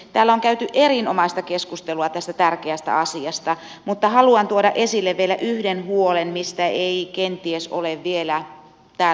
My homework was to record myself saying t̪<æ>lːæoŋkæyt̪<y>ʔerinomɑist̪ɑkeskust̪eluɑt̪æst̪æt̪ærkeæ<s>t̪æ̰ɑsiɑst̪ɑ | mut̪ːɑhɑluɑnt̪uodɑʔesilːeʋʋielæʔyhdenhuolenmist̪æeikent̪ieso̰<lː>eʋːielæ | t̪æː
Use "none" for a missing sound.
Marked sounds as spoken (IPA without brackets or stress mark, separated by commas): æː, y, s, l